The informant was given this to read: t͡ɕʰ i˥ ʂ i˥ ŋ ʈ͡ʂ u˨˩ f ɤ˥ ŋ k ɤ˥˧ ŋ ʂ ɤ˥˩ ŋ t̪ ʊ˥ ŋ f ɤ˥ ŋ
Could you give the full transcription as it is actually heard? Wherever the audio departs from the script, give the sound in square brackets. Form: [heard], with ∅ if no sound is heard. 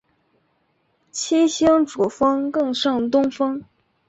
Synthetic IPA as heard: t͡ɕʰ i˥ [ɕ] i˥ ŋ ʈ͡ʂ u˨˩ f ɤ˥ ŋ k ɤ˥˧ ŋ ʂ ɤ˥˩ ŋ t̪ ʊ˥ ŋ f ɤ˥ ŋ